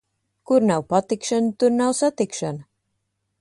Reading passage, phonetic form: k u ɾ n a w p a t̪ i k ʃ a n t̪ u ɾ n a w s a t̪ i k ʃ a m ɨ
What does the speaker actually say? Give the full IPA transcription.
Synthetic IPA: k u ɾ n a w p a t̪ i k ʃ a n t̪ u ɾ n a w s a t̪ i k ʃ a n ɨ